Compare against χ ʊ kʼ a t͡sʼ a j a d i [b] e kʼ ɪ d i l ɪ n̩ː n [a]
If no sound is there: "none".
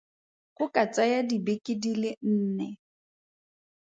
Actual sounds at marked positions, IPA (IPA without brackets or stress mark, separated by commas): b, ɛ